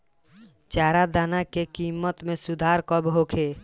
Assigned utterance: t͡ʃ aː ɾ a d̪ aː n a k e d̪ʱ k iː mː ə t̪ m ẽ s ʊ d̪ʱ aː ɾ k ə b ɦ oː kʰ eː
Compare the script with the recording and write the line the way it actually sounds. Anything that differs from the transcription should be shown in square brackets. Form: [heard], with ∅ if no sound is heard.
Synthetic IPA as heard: t͡ʃ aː ɾ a d̪ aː n a k e [∅] k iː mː ə t̪ m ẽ s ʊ d̪ʱ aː ɾ k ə b ɦ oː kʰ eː